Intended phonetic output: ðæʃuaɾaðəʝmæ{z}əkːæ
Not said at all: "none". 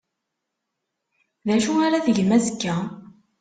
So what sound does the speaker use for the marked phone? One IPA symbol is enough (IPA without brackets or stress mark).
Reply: z